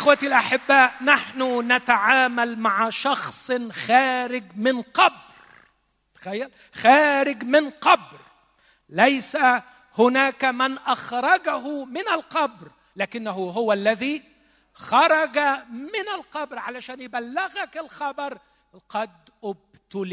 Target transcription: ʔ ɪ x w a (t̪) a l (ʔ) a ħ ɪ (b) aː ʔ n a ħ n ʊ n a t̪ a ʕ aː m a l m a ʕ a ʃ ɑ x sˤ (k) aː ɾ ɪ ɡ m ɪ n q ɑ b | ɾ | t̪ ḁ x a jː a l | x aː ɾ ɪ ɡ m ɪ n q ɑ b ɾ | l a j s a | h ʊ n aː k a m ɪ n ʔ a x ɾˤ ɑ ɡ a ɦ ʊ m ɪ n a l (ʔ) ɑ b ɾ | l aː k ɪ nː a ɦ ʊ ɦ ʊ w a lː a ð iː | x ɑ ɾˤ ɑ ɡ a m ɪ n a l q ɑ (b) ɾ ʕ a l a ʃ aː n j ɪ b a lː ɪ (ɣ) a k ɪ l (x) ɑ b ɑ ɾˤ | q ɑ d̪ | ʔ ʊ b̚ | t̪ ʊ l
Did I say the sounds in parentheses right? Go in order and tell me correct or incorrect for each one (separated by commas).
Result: correct, correct, incorrect, incorrect, incorrect, correct, correct, correct